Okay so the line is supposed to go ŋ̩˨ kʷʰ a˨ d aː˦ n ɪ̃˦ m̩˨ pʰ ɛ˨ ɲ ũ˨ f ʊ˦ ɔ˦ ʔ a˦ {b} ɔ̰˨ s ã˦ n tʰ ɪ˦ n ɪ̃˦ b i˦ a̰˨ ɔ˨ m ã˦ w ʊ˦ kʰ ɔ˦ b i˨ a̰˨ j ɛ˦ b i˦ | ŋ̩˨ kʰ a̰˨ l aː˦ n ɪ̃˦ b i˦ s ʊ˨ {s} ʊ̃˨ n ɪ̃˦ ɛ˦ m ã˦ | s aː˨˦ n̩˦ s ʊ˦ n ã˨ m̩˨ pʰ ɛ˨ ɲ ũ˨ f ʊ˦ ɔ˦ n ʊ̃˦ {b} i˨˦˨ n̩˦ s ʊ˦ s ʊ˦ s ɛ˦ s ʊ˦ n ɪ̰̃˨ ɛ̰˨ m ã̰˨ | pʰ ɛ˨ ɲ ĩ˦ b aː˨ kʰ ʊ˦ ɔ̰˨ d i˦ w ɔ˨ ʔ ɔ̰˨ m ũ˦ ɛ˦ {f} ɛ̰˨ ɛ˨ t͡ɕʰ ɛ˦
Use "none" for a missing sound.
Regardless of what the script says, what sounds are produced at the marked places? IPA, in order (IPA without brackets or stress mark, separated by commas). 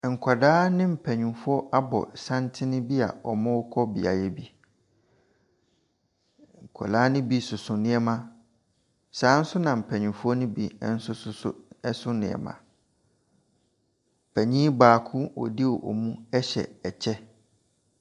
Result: b, s, b, ɕ